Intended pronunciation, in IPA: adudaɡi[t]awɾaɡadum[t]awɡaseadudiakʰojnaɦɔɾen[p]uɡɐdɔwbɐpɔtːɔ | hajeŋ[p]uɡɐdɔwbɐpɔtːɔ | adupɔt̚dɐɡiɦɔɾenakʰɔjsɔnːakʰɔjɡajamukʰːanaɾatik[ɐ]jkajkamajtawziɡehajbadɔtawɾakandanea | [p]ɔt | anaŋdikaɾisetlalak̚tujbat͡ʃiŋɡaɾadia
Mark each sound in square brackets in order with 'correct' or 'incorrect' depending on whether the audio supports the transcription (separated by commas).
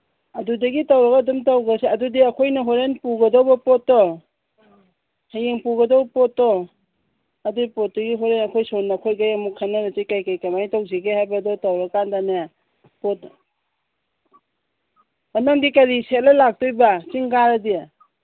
correct, correct, correct, correct, incorrect, correct